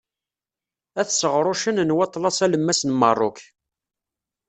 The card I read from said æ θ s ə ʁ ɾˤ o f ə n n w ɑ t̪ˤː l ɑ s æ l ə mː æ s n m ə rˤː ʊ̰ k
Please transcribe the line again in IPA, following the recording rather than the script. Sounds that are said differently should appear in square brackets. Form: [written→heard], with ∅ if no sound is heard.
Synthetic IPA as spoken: æ θ s ə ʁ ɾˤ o [f→ʃ] ə n n w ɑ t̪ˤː l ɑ s æ l ə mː æ s n m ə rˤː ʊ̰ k